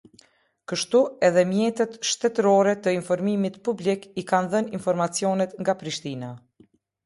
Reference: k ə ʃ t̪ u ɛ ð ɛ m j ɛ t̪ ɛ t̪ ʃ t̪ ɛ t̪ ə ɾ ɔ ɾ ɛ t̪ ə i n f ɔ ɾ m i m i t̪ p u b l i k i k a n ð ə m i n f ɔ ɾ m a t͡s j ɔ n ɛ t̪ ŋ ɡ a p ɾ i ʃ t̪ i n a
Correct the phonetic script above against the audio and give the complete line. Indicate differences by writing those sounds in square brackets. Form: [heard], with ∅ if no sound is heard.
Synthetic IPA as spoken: k ə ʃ t̪ u ɛ ð ɛ m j ɛ t̪ ɛ t̪ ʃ t̪ ɛ t̪ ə ɾ ɔ ɾ ɛ t̪ ə i n f ɔ ɾ m i m i t̪ p u b l i k i k a n ð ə [n] i n f ɔ ɾ m a t͡s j ɔ n ɛ t̪ ŋ ɡ a p ɾ i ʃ t̪ i n a